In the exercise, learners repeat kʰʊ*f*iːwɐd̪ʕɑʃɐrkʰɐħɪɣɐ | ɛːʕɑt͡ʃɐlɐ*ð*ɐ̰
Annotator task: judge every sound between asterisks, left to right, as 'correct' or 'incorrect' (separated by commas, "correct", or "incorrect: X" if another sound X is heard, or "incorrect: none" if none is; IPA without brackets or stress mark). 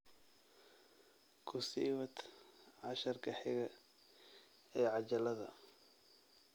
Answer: incorrect: s, correct